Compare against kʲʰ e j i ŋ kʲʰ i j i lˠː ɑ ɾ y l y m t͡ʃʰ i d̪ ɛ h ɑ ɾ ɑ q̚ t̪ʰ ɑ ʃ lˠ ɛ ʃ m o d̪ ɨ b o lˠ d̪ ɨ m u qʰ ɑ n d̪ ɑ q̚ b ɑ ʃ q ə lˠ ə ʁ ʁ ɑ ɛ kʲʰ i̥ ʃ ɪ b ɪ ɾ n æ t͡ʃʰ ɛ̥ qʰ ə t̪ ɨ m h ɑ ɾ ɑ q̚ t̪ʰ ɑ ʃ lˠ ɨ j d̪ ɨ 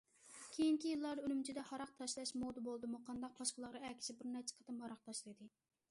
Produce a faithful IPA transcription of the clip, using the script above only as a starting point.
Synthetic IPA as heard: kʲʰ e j i ŋ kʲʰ i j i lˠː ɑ ɾ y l y m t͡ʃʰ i d̪ ɛ h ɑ ɾ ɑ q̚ t̪ʰ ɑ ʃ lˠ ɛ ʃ m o d̪ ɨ b o lˠ d̪ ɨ m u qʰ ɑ n d̪ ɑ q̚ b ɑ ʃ q ə lˠ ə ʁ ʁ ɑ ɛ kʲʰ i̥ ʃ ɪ b ɪ ɾ n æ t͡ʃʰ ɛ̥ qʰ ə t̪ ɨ m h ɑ ɾ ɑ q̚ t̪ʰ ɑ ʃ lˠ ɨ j d̪ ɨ